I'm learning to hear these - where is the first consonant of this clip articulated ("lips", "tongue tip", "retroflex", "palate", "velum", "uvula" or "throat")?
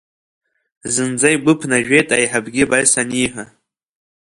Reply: tongue tip